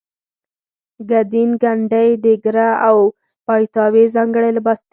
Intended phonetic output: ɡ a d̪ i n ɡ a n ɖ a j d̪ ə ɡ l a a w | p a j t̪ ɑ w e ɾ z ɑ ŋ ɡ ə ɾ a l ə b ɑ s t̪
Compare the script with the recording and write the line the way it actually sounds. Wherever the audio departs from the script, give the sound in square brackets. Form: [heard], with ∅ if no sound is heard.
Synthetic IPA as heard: ɡ a d̪ i n ɡ a [ɳ] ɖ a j d̪ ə ɡ [ɾ] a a w | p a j t̪ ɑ w e [∅] z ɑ ŋ ɡ ə [ɽ] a l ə b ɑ s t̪